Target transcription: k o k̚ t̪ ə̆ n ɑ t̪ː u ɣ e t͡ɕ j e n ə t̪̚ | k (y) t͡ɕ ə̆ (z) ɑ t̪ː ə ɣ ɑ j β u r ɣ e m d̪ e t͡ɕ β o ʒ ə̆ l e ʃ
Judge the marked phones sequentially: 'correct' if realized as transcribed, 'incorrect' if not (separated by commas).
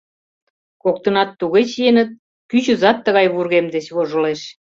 correct, correct